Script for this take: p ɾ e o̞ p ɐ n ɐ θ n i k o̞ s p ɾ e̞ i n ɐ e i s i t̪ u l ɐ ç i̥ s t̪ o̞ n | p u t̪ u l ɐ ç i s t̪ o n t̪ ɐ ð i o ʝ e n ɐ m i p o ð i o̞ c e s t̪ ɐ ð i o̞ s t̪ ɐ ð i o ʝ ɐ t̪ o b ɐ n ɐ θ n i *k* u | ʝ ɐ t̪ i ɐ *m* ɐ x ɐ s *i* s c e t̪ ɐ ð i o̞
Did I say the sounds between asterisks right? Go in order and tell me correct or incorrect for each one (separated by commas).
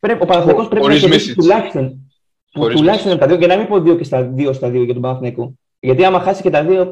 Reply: correct, correct, correct